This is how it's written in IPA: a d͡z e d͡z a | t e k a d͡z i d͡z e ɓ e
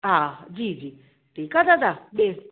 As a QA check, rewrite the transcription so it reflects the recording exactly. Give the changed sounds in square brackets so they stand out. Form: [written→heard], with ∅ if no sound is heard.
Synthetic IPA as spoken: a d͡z [e→i] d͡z [a→i] | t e k a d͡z [i→a] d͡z [e→a] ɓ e